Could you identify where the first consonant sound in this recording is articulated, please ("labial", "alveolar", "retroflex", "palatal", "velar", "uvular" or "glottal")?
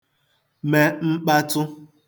labial